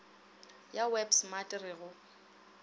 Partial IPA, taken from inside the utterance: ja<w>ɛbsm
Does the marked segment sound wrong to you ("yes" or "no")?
no